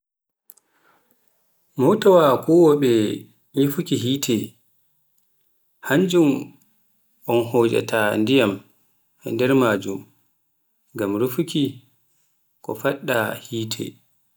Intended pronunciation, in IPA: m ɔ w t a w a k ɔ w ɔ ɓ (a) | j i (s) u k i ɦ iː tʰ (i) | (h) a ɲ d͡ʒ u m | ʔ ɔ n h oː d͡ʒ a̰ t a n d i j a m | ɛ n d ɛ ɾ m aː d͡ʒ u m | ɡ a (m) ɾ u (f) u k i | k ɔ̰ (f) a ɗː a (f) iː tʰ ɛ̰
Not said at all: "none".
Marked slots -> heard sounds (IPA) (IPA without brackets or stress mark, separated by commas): ɛ, f, ɛ, h, m, f, f, h